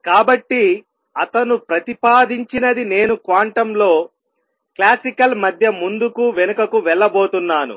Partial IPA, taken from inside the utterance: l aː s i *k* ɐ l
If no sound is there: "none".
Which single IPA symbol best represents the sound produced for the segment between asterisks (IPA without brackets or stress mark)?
k